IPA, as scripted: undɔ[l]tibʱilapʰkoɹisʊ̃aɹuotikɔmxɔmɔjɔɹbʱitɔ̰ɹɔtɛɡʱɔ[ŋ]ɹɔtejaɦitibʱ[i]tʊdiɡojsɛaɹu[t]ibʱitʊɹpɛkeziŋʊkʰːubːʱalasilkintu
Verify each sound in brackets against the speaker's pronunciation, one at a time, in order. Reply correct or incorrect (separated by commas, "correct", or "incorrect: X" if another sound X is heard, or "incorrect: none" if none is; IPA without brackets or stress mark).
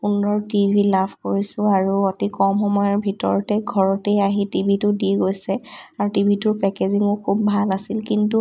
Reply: incorrect: ɹ, incorrect: none, correct, correct